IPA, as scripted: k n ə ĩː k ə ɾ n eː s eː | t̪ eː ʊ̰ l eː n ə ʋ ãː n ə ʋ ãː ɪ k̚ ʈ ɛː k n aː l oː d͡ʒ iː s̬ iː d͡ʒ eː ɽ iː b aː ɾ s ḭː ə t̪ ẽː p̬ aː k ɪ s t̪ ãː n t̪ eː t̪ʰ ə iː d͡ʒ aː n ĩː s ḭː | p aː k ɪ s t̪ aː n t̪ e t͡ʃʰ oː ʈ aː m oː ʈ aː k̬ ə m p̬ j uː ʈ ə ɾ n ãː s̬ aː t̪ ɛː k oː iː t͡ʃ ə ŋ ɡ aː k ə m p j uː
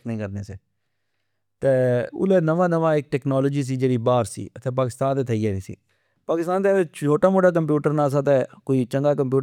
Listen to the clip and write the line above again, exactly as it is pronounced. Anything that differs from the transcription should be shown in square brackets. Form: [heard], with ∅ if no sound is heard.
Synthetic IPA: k n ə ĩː k ə ɾ n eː s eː | t̪ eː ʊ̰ l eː n ə ʋ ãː n ə ʋ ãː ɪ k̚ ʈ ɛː k n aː l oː d͡ʒ iː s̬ iː d͡ʒ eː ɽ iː b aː ɾ s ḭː ə t̪ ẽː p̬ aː k ɪ s t̪ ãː n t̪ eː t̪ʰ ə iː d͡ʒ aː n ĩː s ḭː | p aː k ɪ s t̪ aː n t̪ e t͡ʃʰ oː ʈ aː m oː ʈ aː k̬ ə m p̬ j uː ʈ ə ɾ n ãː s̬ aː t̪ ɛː k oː iː t͡ʃ ə ŋ ɡ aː k ə m p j uː

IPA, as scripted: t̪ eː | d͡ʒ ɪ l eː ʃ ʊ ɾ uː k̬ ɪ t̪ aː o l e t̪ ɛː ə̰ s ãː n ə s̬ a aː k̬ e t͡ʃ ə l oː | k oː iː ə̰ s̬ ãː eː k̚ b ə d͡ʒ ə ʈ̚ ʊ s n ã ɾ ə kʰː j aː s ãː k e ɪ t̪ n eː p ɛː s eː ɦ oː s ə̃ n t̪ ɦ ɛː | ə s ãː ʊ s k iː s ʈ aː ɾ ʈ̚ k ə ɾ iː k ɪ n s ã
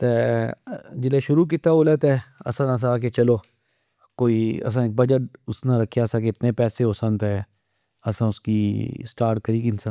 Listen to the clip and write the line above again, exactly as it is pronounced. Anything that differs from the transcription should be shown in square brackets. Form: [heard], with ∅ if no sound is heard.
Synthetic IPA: t̪ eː | d͡ʒ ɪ l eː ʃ ʊ ɾ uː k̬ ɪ t̪ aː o l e t̪ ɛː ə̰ s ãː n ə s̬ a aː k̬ e t͡ʃ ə l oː | k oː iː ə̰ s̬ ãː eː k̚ b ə d͡ʒ ə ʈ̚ ʊ s n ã ɾ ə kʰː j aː s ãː k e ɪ t̪ n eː p ɛː s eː ɦ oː s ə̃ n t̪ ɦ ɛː | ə s ãː ʊ s k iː s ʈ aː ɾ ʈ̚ k ə ɾ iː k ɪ n s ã

